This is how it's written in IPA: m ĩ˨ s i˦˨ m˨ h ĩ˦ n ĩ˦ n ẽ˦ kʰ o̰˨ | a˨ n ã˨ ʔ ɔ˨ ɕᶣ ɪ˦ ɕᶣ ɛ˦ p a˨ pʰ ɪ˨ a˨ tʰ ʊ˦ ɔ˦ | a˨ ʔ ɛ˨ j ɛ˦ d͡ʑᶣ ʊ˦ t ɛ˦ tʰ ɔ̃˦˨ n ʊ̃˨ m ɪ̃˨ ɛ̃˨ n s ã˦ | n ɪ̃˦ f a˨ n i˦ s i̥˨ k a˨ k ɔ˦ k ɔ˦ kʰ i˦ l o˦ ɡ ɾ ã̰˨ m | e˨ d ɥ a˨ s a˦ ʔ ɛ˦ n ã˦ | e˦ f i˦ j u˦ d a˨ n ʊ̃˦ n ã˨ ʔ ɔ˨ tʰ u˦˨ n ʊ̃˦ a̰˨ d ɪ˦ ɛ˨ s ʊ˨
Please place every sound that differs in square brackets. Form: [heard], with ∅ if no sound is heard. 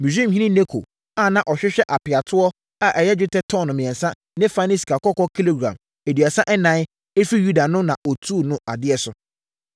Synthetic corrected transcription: m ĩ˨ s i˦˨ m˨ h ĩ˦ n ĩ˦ n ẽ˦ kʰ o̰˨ | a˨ n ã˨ ʔ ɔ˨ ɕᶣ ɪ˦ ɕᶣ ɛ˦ [ʔ] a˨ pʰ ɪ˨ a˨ tʰ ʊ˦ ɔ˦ | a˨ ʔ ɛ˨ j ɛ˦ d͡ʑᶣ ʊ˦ t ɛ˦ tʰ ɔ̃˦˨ n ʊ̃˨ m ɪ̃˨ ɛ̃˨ n s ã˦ | n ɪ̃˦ f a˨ n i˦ s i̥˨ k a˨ k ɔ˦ k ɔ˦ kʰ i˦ l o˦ ɡ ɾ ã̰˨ m | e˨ d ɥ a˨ s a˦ ʔ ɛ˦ n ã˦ | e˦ f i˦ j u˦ d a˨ n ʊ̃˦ n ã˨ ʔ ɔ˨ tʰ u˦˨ n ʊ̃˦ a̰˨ d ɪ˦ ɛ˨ s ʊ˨